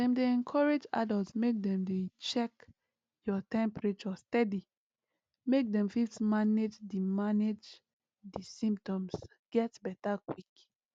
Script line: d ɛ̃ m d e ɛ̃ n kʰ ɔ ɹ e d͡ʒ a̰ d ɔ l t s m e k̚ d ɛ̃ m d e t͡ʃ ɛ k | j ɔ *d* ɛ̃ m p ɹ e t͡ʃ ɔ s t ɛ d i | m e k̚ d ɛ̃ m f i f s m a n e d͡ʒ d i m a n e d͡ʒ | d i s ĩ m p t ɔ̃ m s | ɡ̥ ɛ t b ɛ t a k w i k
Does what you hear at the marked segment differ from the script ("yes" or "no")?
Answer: yes